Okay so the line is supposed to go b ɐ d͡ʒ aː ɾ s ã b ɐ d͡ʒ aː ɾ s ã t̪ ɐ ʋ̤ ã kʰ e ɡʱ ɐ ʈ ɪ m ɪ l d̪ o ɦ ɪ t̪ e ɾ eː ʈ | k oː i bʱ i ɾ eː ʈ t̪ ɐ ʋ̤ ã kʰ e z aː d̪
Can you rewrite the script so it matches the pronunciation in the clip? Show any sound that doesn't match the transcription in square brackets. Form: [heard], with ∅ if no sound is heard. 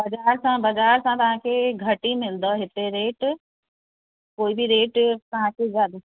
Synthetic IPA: b ɐ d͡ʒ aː ɾ s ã b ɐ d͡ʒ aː ɾ s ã t̪ ɐ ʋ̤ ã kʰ e ɡʱ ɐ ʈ [i] m ɪ l d̪ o ɦ ɪ t̪ e ɾ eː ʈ | k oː i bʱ i ɾ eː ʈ t̪ ɐ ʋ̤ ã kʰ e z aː d̪

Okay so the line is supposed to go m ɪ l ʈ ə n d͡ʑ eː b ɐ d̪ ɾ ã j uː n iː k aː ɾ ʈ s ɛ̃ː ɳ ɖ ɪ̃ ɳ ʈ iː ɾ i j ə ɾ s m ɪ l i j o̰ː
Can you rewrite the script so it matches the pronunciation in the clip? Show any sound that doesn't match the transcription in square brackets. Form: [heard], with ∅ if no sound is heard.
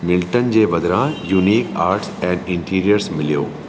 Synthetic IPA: m ɪ l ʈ ə n d͡ʑ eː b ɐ d̪ ɾ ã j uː n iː k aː ɾ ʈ s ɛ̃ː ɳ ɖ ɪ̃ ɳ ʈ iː ɾ i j ə ɾ s m ɪ l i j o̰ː

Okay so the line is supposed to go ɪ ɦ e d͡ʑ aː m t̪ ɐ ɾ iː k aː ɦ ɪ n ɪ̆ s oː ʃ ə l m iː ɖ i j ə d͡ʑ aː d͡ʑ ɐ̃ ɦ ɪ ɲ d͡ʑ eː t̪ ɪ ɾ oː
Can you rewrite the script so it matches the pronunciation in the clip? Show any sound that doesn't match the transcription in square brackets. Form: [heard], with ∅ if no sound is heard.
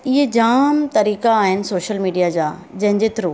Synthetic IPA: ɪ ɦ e d͡ʑ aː m t̪ ɐ ɾ iː k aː ɦ ɪ n ɪ̆ s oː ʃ ə l m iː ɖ i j [a] d͡ʑ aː d͡ʑ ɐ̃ ɦ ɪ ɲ d͡ʑ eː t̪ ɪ ɾ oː

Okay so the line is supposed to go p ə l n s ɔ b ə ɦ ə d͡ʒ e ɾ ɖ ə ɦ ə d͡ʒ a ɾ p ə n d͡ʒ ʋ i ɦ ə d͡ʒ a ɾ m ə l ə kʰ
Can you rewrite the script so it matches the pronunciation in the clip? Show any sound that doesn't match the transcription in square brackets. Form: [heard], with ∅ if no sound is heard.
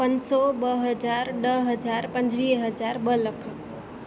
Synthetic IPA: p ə [∅] n s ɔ b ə ɦ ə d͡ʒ [a] ɾ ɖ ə ɦ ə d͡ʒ a ɾ p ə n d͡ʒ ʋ i ɦ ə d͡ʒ a ɾ [b] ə l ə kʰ

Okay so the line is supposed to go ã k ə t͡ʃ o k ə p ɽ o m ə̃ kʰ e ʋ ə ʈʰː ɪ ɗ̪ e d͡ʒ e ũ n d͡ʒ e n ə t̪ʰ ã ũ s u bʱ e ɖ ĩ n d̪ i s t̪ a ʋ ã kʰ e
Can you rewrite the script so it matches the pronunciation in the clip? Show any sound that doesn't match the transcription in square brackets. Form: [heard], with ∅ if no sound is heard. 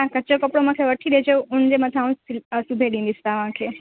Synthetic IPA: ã k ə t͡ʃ o k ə p ɽ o m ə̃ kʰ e ʋ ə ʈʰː [i] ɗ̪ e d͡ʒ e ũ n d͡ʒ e [m] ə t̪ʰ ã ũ s u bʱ e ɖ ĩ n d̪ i s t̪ a ʋ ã kʰ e

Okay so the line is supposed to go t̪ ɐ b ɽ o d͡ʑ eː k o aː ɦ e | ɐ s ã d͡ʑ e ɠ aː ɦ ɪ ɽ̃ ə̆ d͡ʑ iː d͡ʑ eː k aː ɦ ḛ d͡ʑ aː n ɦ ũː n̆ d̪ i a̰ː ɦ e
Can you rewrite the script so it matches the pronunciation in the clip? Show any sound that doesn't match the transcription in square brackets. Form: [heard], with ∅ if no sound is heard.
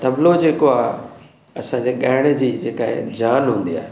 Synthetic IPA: t̪ ɐ b [l] o d͡ʑ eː k o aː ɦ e | ɐ s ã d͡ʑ e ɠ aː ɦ ɪ ɽ̃ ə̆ d͡ʑ iː d͡ʑ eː k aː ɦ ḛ d͡ʑ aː n ɦ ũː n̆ d̪ i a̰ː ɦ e

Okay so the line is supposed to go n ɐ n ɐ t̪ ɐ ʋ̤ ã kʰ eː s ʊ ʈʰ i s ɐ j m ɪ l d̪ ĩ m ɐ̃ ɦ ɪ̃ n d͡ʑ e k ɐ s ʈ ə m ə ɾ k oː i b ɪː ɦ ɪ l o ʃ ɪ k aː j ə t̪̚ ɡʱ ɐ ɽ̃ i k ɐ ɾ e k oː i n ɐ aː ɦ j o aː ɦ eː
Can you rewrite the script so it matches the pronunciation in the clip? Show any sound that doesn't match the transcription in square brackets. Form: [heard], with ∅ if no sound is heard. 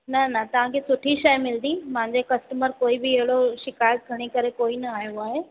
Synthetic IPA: n ɐ n ɐ t̪ ɐ ʋ̤ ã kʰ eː s ʊ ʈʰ i [ʃ] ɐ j m ɪ l d̪ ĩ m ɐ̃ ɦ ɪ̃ [ɲ] d͡ʑ e k ɐ s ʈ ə m ə ɾ k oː i b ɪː ɦ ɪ [ɽ] o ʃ ɪ k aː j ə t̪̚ ɡʱ ɐ ɽ̃ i k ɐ ɾ e k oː i n ɐ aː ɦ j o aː ɦ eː

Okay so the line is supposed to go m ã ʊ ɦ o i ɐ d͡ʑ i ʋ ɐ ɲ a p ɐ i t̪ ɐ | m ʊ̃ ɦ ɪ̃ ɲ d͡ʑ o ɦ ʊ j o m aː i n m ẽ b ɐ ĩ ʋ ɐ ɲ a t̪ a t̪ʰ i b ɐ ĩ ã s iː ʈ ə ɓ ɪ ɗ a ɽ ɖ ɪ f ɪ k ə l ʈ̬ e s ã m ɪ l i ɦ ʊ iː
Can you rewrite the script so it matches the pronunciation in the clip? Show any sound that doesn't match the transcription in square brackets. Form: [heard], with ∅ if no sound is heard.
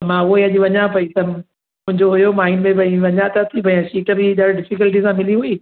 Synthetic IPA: m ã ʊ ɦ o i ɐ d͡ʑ i ʋ ɐ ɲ a p ɐ i t̪ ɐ | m ʊ̃ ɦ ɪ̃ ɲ d͡ʑ o ɦ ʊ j o m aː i n m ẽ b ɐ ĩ ʋ ɐ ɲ a t̪ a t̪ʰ i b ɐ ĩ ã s iː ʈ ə [b] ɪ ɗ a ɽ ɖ ɪ f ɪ k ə l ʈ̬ [i] s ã m ɪ l i ɦ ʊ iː

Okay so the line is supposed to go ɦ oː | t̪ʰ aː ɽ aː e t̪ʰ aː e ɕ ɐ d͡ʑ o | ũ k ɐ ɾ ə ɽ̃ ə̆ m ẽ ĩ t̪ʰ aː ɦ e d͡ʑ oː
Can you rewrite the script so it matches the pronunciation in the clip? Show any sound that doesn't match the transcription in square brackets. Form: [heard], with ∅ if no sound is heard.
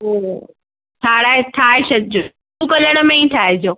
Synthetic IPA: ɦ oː | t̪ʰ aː ɽ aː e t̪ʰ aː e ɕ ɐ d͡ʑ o | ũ k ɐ [l] ə ɽ̃ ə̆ m ẽ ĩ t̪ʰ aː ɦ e d͡ʑ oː

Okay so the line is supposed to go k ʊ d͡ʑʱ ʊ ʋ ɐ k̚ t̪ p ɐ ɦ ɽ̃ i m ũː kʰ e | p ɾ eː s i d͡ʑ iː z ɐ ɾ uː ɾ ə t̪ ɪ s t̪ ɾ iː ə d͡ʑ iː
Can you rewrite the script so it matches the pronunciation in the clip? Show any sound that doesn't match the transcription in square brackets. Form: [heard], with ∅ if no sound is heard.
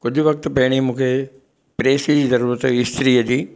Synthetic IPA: k ʊ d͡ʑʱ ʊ ʋ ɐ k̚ t̪ p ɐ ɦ ɽ̃ i m ũː kʰ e | p ɾ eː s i d͡ʑ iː z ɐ ɾ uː ɾ ə t̪ ɪ s t̪ ɾ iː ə d͡ʑ iː

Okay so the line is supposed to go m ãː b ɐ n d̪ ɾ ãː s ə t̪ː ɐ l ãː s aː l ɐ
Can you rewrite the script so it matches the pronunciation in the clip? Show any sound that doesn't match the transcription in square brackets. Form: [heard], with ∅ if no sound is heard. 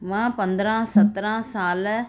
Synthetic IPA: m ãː [p] ɐ n d̪ ɾ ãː s [ɐ] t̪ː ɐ [ɾ] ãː s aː l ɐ

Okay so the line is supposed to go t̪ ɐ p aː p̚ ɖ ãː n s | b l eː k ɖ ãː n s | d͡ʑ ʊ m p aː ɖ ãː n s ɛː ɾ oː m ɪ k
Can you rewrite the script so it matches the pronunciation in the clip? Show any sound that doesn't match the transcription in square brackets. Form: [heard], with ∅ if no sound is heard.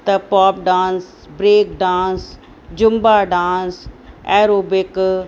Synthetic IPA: t̪ ɐ p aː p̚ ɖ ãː n s | b [ɾ] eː k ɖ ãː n s | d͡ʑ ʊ m [b] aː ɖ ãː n s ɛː ɾ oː [b] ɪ k

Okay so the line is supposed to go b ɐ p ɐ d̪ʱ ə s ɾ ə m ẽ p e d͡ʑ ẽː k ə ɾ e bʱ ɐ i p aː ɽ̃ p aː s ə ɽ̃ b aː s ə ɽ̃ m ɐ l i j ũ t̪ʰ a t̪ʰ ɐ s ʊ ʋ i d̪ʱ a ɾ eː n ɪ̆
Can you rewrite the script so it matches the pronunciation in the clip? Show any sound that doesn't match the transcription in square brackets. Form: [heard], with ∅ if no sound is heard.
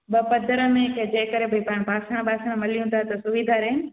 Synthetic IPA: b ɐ p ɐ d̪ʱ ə [∅] ɾ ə m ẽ [k] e d͡ʑ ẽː k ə ɾ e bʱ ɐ i p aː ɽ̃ p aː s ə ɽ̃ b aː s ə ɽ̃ m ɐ l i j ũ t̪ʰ a [t̪] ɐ s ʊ ʋ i d̪ʱ a ɾ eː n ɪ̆

